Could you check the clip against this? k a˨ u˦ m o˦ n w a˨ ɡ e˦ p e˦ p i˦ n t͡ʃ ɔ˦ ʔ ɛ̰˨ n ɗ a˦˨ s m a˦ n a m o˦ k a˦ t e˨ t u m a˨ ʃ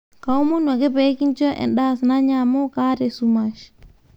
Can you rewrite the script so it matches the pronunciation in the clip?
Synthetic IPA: k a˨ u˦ m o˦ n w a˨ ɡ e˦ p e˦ k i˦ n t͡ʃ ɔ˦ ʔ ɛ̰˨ n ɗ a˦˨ s n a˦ ɲ a m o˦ k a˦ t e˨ s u m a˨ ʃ

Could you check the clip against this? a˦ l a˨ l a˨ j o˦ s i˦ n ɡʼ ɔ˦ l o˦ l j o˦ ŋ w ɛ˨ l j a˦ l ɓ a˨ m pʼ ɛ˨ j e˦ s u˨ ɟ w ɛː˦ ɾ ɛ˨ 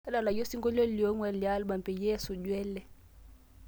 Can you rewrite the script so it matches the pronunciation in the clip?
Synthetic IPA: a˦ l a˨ l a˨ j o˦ s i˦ ŋ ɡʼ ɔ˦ l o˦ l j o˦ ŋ w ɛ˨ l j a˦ l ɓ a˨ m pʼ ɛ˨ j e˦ s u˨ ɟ w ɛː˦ l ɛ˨

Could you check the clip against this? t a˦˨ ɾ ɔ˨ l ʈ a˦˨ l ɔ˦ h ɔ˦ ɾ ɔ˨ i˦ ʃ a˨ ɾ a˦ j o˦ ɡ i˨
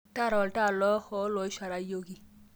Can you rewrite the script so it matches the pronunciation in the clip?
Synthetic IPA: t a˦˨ ɾ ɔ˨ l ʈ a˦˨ l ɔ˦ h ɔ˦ l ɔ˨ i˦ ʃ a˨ ɾ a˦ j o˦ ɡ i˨

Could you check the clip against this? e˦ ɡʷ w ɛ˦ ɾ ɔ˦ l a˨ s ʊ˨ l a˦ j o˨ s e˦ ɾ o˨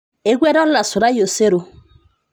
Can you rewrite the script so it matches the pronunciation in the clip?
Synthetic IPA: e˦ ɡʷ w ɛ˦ ɾ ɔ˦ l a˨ s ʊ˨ ɾ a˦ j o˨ s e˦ ɾ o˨

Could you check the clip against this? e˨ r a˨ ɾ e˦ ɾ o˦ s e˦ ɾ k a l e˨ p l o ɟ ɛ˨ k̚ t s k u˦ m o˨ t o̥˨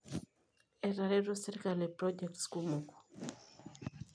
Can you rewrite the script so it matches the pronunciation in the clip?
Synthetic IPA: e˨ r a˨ ɾ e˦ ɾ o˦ s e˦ ɾ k a l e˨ p ɾ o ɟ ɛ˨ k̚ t s k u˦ m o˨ k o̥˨

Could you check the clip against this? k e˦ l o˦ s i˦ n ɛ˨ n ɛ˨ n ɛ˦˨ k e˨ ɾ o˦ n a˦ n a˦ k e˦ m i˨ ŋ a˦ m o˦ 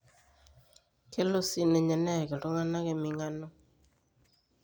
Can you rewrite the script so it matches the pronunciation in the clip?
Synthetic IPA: k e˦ l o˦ s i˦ n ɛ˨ ɲ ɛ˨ n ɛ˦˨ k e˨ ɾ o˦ ŋ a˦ n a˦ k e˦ m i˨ ŋ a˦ n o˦

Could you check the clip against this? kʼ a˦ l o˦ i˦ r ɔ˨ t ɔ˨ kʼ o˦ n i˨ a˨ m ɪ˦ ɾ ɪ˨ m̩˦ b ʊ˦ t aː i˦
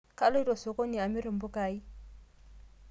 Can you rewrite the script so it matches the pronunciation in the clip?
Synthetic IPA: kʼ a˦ l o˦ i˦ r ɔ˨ s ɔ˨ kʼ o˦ n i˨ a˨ m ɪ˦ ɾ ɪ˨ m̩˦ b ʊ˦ k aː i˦

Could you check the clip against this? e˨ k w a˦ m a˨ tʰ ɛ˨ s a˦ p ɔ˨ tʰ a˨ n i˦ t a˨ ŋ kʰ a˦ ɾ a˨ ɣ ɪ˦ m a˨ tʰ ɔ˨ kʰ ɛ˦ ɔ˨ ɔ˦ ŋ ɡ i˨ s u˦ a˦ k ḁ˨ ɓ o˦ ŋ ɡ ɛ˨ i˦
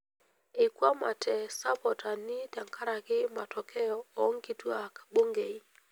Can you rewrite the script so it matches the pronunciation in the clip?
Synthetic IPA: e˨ k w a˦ m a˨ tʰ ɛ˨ s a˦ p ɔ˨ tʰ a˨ n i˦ t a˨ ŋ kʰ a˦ ɾ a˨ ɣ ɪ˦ m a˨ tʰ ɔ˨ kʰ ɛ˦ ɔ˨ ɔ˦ ŋ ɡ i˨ t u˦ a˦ k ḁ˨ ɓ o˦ ŋ ɡ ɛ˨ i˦

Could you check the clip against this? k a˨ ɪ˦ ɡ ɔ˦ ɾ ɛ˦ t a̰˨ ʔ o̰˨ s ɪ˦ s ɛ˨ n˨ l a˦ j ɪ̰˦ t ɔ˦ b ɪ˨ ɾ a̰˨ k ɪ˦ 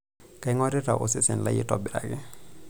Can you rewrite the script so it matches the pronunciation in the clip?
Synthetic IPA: k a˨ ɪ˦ ŋ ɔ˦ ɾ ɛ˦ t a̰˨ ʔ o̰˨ s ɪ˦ s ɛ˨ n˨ l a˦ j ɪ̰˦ t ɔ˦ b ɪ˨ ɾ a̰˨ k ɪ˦

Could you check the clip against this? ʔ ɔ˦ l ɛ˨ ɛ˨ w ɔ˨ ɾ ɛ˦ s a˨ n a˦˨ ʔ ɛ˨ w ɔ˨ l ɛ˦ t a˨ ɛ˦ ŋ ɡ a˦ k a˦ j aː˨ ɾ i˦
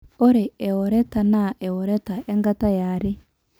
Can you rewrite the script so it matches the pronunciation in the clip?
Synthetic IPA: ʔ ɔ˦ ɾ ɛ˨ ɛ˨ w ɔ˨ ɾ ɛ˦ t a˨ n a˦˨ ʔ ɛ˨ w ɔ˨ ɾ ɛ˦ t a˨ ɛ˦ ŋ ɡ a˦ t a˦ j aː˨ ɾ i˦

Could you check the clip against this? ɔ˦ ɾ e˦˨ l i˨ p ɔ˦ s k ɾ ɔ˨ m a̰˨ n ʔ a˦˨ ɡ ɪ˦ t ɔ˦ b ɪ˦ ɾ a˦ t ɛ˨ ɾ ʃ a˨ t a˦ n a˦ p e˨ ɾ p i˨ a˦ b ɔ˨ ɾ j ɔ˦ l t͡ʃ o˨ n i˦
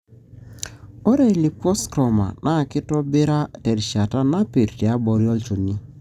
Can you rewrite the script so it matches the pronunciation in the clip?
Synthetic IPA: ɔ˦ ɾ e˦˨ l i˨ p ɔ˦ s k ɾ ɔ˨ m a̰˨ n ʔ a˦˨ k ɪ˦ t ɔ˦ b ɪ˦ ɾ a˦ t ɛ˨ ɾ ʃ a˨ t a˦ n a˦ p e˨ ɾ t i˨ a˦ b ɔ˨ ɾ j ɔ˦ l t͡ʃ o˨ n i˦

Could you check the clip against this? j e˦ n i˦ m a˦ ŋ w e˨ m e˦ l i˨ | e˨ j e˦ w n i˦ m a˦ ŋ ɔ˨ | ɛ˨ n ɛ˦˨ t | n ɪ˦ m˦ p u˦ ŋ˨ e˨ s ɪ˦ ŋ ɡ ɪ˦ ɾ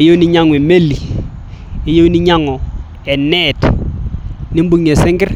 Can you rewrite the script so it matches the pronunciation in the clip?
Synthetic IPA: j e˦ n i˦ ɲ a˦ ŋ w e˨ m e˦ l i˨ | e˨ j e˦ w n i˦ ɲ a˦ ŋ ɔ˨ | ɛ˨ n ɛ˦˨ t | n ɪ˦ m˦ b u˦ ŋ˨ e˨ s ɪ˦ ŋ ɡ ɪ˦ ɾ

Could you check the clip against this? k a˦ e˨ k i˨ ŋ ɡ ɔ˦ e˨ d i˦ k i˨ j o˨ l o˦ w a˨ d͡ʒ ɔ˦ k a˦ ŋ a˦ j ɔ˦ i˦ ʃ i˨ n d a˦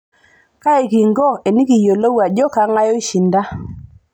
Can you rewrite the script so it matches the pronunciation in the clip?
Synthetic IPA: k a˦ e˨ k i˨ ŋ ɡ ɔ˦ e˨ n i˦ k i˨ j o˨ l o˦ w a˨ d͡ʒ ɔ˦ k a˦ ŋ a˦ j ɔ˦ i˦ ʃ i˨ n d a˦

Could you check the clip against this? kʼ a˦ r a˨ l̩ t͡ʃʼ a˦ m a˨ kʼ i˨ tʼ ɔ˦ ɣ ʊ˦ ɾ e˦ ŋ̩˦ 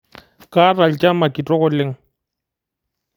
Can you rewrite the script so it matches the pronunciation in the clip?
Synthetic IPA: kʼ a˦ r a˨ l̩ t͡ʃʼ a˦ m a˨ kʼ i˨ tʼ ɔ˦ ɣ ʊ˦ l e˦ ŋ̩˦

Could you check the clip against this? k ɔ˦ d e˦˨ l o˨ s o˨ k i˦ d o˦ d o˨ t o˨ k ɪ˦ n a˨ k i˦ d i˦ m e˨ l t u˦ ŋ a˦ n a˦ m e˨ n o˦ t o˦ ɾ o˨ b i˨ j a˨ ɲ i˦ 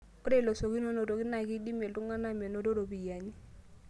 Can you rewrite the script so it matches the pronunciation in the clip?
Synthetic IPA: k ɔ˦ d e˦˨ l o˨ s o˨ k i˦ n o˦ n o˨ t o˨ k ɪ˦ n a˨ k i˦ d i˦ m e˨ l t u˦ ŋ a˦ n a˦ m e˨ n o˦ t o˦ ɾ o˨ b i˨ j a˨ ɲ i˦

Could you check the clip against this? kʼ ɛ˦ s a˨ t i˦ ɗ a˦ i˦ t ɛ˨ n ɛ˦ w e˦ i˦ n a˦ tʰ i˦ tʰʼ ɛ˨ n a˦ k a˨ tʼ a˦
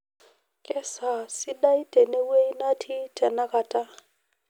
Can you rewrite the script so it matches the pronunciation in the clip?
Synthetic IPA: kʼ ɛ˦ s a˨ s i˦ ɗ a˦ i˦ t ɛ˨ n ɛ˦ w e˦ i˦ n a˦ tʰ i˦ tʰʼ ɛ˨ n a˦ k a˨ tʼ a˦

